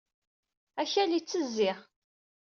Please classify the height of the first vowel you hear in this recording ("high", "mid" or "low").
low